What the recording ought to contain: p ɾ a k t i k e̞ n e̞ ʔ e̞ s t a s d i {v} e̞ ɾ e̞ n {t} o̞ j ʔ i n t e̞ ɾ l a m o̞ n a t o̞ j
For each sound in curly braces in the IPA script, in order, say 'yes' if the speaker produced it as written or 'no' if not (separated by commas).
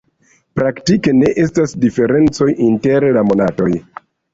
no, no